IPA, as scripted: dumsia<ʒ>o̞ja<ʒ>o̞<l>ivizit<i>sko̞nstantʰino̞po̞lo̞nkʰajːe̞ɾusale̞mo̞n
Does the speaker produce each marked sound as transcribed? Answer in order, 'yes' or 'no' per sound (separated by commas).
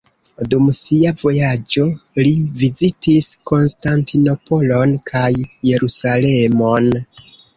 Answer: no, no, yes, yes